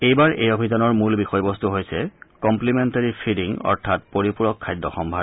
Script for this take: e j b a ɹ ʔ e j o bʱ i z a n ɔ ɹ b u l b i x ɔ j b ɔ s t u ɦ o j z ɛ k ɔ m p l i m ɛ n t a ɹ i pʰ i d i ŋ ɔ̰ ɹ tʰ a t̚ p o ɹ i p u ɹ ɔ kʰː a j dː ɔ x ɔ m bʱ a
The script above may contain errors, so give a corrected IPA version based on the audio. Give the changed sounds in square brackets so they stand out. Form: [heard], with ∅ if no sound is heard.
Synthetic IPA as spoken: e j b a ɹ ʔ e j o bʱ i z a n ɔ ɹ [m] u l b i x ɔ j b ɔ s t u ɦ o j [s] ɛ k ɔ m p l i m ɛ n t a ɹ i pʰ i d i ŋ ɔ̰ ɹ tʰ a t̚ p o ɹ i p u ɹ ɔ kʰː a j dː ɔ x ɔ m bʱ a